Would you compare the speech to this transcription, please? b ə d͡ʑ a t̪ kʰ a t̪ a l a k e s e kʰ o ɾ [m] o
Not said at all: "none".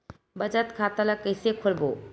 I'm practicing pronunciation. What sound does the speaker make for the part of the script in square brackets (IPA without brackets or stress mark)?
b